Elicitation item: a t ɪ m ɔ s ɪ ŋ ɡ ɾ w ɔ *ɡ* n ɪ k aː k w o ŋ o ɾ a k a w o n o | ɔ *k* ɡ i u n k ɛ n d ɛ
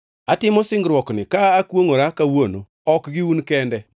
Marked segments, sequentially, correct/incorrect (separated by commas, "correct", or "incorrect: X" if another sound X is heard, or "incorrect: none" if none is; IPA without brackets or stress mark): incorrect: k, correct